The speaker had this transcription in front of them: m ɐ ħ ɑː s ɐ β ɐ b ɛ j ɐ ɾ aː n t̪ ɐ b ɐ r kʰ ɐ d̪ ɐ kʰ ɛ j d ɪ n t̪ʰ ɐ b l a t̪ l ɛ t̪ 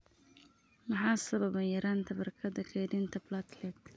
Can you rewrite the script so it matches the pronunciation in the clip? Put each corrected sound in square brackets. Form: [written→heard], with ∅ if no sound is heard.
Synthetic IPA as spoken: m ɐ ħ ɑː s ɐ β ɐ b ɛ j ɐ ɾ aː n [t̪→t̪ʰ] ɐ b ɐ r kʰ ɐ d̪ ɐ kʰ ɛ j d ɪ n t̪ʰ ɐ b l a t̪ l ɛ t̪